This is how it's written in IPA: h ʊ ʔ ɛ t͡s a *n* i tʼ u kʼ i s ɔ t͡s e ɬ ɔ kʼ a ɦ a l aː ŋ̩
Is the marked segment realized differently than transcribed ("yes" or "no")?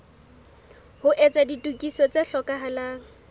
yes